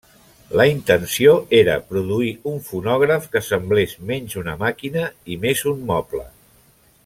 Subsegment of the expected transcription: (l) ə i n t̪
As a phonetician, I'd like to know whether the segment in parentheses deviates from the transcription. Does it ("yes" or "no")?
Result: no